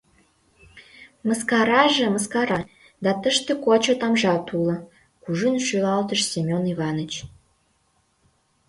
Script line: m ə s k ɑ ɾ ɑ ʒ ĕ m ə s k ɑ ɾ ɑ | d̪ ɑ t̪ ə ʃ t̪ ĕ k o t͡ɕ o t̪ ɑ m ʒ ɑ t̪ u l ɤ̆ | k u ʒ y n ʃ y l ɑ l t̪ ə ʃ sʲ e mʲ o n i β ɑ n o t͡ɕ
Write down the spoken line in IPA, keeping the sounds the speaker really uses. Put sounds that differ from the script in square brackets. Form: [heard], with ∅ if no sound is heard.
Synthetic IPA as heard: m ə s k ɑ ɾ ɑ ʒ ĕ m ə s k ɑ ɾ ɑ | d̪ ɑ t̪ ə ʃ t̪ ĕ k o t͡ɕ o t̪ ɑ m ʒ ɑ t̪ u l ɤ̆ | k u ʒ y n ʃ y l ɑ l t̪ ə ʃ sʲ e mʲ o n i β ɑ n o t͡ɕ